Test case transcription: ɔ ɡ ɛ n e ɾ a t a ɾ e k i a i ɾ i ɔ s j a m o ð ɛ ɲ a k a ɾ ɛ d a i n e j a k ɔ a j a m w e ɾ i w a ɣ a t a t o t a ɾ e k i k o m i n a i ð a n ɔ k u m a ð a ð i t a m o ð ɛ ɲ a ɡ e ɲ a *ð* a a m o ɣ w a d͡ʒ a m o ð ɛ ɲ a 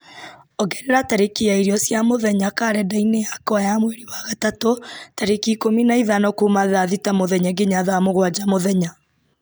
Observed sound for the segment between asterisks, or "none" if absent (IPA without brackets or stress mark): ð